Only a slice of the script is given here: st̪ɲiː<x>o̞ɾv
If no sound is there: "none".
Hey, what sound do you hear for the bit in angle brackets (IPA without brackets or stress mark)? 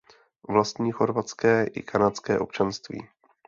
x